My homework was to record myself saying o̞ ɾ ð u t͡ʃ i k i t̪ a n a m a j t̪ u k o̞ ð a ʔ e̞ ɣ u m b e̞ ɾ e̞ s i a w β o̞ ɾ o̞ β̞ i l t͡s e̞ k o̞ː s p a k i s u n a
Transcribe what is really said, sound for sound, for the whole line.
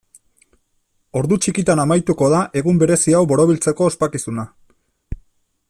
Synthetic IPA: o̞ ɾ ð u t͡ʃ i k i t̪ a n a m a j t̪ u k o̞ ð a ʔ e̞ ɣ u m b e̞ ɾ e̞ s i a w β o̞ ɾ o̞ β̞ i l t͡s e̞ k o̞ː s p a k i s u n a